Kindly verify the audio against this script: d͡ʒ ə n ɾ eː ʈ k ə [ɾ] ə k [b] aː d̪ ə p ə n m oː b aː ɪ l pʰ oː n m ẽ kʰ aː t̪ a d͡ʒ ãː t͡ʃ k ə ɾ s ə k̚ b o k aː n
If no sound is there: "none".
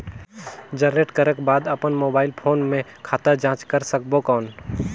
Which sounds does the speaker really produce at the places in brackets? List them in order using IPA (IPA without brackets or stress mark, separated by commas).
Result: ɾ, b